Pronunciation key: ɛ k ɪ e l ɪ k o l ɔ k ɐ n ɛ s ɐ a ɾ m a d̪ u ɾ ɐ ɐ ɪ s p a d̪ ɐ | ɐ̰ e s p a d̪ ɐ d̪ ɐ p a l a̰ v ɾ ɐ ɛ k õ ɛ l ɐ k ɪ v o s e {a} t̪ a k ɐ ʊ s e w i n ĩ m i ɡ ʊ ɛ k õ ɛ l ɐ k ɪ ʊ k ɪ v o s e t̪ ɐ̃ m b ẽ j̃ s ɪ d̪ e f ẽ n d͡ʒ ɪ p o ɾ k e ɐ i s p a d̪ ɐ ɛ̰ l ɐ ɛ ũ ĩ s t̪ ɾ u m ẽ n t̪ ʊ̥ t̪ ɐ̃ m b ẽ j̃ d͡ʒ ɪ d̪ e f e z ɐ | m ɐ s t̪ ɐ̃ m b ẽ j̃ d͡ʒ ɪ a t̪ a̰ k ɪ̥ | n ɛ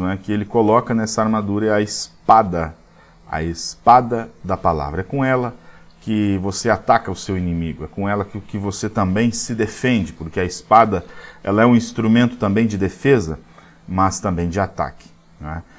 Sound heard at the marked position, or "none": a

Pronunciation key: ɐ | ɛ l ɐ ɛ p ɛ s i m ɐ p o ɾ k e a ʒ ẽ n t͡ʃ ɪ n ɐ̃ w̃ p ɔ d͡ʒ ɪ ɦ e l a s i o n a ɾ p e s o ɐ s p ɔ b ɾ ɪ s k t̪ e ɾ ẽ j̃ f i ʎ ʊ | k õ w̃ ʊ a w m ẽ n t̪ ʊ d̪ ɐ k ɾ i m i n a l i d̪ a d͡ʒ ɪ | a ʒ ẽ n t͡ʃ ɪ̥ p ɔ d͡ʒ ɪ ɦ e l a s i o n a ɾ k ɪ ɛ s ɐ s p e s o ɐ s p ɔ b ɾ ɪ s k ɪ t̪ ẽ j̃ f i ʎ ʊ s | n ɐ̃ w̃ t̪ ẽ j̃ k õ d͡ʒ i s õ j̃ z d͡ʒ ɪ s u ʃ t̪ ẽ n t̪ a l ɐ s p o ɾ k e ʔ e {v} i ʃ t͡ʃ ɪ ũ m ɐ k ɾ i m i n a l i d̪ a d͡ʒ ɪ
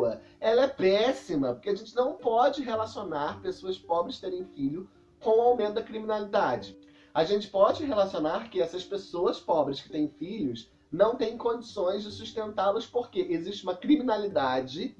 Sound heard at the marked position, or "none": z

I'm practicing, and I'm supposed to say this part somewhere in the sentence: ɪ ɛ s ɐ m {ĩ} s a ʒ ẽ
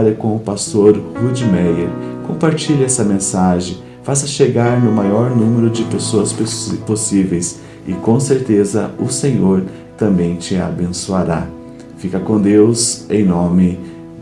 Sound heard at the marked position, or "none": ẽ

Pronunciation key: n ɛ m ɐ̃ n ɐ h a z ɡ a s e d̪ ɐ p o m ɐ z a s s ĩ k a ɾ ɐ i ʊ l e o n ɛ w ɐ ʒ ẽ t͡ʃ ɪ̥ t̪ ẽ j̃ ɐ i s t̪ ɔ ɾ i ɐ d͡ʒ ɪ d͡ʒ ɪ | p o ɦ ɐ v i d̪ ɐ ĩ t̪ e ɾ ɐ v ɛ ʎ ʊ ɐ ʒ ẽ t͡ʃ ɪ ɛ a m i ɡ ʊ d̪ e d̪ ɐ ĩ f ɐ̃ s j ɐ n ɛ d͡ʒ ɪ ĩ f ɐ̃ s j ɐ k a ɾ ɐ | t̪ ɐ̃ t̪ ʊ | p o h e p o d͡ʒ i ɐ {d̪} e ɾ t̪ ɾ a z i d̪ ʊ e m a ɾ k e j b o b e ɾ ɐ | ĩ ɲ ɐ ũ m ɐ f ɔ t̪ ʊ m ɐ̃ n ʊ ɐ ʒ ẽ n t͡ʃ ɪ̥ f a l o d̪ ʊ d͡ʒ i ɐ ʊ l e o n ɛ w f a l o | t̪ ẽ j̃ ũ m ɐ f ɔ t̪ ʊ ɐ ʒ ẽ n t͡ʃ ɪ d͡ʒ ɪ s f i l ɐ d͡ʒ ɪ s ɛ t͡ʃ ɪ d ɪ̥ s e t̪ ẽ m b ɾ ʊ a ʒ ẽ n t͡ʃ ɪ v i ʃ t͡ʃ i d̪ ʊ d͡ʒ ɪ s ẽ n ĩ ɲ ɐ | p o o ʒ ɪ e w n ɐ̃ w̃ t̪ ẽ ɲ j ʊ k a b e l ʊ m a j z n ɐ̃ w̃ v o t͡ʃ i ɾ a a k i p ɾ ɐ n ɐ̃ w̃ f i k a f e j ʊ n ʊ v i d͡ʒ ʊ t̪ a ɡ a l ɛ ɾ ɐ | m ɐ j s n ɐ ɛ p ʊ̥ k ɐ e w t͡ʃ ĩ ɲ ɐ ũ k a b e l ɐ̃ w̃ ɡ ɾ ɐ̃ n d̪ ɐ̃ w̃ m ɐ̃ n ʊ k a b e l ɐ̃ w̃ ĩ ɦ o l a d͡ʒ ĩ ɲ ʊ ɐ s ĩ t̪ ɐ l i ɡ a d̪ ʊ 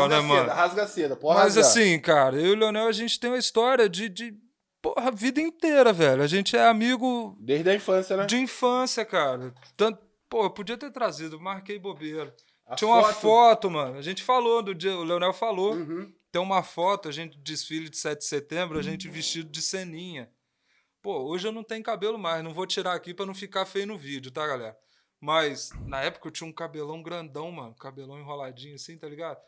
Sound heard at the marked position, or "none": t̪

